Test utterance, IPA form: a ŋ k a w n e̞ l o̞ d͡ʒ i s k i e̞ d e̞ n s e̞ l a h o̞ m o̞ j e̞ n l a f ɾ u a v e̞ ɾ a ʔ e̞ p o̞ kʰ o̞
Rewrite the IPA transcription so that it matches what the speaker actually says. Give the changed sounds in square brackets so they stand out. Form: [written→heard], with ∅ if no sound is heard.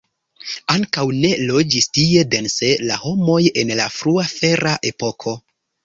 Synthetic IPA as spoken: a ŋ k a w n e̞ l o̞ d͡ʒ i s [k→t] i e̞ d e̞ n s e̞ l a h o̞ m o̞ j e̞ n l a f ɾ u a [v→f] e̞ ɾ a ʔ e̞ p o̞ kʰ o̞